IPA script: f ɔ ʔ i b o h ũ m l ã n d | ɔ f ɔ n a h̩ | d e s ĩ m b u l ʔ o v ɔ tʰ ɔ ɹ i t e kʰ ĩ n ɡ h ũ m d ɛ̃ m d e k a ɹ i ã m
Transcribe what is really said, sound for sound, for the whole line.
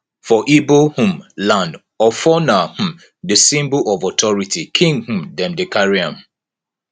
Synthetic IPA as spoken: f ɔ ʔ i b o h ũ m l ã n d | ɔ f ɔ n a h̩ | d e s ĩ m b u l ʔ ɔ v ɔ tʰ ɔ ɹ i t i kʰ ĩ ŋ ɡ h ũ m d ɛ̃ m d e k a ɹ i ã m

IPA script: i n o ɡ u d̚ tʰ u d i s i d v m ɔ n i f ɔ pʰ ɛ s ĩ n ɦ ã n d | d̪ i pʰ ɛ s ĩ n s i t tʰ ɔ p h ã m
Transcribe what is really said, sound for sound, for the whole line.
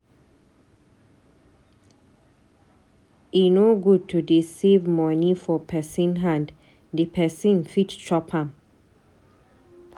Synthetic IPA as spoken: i n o ɡ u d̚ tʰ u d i s i v m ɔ n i f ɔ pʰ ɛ s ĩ n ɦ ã n d | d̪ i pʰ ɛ s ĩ n f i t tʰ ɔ p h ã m

